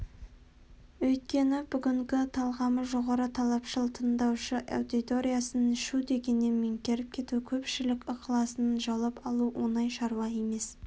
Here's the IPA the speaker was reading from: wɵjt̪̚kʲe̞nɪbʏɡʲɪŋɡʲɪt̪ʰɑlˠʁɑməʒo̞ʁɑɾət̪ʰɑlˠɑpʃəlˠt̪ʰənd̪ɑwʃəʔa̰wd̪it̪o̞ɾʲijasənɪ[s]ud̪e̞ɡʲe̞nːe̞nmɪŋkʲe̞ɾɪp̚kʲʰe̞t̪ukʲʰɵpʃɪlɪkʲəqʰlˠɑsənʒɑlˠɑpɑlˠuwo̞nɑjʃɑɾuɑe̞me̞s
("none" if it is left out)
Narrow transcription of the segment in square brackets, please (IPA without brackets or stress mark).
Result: ʃ